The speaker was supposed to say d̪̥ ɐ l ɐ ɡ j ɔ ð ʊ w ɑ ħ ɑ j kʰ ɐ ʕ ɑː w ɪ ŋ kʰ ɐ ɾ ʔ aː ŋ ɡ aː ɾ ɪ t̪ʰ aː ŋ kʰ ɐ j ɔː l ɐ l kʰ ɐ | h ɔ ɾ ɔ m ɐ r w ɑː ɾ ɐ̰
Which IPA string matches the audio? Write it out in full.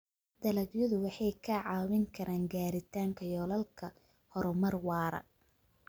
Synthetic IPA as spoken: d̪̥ ɐ l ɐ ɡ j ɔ ð ʊ w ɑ ħ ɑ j kʰ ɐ ʕ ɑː w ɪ ŋ kʰ ɐ ɾ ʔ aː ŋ ɡ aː ɾ ɪ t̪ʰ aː ŋ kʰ ɐ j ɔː l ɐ l kʰ ɐ | h ɔ ɾ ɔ m ɐ r w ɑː ɾ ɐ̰